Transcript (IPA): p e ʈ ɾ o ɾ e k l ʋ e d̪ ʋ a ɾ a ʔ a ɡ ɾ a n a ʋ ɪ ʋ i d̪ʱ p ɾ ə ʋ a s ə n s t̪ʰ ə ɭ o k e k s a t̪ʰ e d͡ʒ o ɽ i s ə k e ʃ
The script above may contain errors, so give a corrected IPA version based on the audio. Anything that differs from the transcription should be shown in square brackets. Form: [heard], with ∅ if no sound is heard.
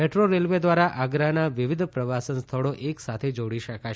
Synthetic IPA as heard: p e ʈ ɾ o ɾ e [∅] l ʋ e d̪ ʋ a ɾ a ʔ a ɡ ɾ a n a ʋ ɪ ʋ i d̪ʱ p ɾ ə ʋ a s ə n s t̪ʰ ə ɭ o [ʔ] e k s a t̪ʰ e d͡ʒ o ɽ i [ʃ] ə k [a] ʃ